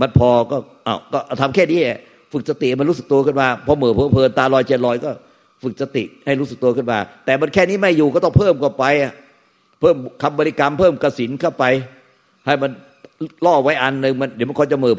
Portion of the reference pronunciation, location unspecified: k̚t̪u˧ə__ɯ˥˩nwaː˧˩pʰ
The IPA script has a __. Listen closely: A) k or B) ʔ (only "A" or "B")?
A